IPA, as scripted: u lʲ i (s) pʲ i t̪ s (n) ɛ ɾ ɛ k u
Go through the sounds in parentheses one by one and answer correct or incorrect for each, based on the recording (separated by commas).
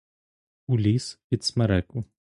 correct, incorrect